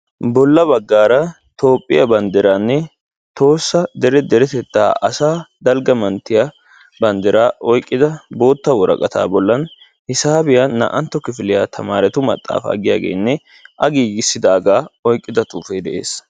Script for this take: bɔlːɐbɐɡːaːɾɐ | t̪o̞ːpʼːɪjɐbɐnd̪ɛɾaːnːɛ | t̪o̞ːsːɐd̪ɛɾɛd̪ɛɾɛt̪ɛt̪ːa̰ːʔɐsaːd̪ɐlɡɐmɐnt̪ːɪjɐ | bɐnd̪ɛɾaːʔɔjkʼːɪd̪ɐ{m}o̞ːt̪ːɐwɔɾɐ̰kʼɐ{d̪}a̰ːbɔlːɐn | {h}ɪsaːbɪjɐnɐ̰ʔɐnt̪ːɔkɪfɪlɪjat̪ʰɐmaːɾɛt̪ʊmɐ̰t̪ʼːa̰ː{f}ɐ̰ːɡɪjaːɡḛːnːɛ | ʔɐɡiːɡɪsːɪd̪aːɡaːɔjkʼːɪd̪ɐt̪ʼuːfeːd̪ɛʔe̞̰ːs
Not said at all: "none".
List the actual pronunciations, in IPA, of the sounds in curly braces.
b, t̪, h, f

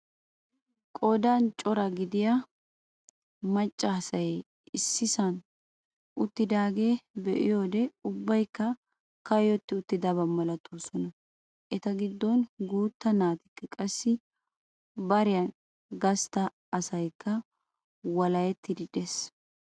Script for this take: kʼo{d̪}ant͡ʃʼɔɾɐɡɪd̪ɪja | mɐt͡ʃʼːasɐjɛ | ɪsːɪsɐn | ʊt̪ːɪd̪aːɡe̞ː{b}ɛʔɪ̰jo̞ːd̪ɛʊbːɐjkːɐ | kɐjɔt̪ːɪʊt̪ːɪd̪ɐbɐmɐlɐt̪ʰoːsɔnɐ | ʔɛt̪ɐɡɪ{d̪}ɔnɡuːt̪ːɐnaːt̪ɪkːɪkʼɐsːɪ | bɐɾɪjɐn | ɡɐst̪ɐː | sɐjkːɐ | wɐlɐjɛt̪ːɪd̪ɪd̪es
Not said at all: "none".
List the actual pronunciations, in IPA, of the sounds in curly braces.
d̪, b, d̪ː

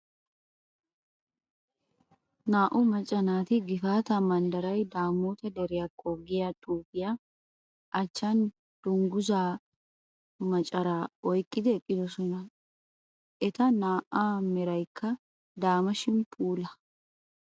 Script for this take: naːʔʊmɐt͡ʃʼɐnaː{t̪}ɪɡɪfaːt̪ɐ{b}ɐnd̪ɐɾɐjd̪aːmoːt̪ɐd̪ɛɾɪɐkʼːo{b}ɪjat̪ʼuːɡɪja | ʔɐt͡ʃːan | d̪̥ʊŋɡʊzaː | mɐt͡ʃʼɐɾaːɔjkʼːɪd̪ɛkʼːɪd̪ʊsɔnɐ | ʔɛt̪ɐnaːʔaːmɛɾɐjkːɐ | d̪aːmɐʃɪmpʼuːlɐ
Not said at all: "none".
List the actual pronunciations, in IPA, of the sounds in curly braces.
t̪, m, ɡ

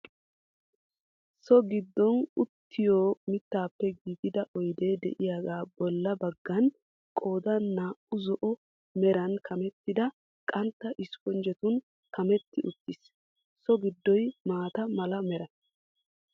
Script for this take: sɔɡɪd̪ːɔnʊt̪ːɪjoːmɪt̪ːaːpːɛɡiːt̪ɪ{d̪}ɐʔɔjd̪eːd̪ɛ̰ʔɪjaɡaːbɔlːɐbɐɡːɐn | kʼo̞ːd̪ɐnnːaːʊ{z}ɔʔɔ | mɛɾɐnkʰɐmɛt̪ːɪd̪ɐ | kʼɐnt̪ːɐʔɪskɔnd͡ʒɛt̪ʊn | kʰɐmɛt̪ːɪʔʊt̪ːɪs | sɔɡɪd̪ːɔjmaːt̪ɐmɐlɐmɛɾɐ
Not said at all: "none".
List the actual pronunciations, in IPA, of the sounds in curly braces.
d̪, z

